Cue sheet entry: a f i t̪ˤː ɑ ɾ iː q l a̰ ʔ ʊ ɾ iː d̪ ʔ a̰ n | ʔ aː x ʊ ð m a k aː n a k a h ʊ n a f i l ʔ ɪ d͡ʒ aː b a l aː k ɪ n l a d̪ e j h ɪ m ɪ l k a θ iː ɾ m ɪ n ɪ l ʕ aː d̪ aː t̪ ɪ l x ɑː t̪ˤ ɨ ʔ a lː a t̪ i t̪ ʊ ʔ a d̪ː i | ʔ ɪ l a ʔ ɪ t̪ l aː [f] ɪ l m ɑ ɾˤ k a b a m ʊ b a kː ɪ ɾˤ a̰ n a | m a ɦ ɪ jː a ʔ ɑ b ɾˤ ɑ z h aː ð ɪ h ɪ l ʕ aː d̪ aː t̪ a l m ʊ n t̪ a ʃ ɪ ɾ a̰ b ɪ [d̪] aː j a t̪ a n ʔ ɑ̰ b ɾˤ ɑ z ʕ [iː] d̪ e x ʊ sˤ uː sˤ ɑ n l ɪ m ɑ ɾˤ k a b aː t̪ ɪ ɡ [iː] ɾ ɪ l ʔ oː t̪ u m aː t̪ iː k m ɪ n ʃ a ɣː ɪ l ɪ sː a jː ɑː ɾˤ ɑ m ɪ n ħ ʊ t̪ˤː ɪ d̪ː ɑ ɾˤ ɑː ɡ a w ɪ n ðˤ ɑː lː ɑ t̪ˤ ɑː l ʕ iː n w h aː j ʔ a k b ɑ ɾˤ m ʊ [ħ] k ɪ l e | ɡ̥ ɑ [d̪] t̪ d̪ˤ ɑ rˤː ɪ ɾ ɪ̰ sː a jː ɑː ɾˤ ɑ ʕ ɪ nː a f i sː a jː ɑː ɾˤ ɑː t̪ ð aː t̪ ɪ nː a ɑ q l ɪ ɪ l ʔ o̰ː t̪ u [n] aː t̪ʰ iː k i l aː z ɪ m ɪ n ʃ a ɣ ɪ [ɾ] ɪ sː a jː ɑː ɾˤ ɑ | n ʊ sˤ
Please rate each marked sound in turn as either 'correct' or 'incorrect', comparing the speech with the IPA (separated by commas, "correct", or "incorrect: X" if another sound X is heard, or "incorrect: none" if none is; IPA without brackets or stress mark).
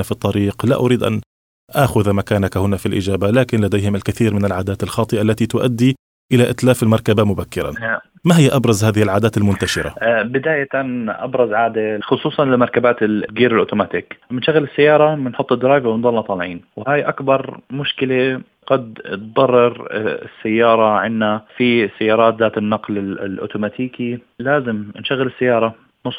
correct, correct, incorrect: aː, correct, incorrect: ʃ, correct, incorrect: m, incorrect: l